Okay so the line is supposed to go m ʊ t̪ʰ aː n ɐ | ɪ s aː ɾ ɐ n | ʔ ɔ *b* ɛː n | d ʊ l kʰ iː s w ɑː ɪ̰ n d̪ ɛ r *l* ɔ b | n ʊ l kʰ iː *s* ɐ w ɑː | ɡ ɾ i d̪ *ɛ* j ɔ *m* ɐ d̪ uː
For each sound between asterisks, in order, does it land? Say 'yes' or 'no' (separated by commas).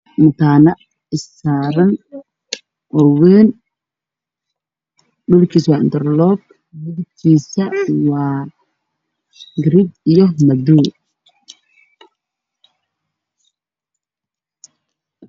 no, yes, yes, no, yes